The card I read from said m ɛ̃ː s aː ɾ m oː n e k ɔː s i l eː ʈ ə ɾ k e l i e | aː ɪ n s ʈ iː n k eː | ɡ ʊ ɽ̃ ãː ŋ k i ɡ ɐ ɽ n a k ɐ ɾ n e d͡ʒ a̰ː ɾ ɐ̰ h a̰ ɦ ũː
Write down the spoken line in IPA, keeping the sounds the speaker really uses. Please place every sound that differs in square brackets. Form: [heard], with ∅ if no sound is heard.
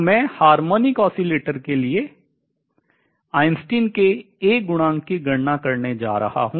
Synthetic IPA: m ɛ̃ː [h] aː ɾ m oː n [i] k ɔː s i l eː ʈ ə ɾ k e l i e | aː ɪ n s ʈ iː n k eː | ɡ ʊ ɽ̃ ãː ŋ k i ɡ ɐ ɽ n a k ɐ ɾ n e d͡ʒ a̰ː ɾ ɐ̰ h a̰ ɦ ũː